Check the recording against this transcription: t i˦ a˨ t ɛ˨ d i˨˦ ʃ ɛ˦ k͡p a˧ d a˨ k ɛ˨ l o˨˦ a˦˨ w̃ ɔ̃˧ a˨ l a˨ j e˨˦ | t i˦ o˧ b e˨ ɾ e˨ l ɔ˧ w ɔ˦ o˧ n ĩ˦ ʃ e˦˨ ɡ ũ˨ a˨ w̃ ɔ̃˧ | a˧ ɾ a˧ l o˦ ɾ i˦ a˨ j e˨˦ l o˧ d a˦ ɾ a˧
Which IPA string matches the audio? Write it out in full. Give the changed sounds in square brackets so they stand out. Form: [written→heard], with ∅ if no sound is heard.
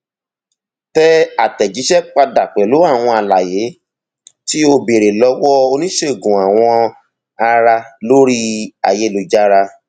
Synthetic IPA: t [i˦→ɛ˦] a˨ t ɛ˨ [d→d͡ʒ] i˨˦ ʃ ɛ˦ k͡p a˧ d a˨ [k→k͡p] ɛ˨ l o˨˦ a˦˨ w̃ ɔ̃˧ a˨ l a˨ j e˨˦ | t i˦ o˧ b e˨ ɾ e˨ l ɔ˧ w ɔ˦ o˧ n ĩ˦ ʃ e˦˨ ɡ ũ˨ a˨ w̃ ɔ̃˧ | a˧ ɾ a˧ l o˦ ɾ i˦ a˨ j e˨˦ l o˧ [d→d͡ʒ] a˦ ɾ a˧